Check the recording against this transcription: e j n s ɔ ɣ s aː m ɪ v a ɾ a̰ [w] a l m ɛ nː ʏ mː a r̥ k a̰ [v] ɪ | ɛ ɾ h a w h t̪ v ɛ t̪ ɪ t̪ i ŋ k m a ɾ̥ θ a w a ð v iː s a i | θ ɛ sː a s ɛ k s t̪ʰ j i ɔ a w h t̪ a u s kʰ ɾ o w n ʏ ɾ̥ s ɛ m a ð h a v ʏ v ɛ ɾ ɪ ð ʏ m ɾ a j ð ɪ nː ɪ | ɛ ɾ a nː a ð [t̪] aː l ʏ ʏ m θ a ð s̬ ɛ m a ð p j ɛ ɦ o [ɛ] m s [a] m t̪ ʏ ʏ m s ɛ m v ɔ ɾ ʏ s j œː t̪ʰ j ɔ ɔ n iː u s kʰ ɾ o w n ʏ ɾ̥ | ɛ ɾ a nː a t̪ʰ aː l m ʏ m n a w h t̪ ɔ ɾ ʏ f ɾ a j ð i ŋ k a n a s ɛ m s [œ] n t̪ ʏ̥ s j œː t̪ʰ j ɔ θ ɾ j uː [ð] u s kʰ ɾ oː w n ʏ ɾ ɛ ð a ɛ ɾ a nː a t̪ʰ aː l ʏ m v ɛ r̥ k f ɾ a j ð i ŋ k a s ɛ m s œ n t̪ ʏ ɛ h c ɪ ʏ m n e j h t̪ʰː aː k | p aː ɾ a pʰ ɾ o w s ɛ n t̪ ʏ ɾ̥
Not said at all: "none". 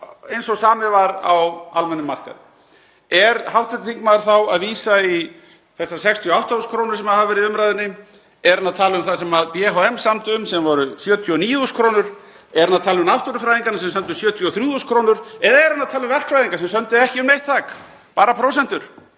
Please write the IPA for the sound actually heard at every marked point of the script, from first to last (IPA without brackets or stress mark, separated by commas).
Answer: w, ð, t̪ʰ, ɛ, a, œ, ð